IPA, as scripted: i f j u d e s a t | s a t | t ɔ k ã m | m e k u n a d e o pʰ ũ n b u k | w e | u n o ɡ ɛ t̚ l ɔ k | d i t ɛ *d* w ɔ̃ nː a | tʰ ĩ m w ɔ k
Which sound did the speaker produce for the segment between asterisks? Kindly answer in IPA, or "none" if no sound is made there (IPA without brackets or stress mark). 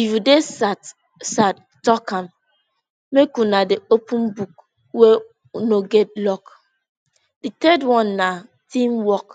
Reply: d